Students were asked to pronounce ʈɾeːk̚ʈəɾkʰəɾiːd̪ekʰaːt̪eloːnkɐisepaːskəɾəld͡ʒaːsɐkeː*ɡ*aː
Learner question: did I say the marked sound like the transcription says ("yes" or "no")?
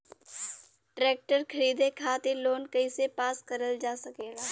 yes